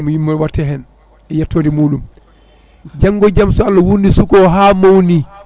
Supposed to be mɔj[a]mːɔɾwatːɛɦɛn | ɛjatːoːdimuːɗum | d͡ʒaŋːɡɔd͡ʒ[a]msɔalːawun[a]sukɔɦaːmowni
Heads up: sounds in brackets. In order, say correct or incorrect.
incorrect: i, correct, incorrect: i

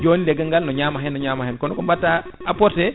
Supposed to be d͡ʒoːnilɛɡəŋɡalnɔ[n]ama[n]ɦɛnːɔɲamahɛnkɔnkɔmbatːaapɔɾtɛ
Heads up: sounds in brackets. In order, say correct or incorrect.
incorrect: ɲ, incorrect: none

